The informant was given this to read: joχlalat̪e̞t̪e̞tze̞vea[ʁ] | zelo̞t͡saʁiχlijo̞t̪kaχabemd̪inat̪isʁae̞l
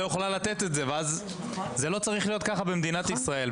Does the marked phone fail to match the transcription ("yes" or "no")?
yes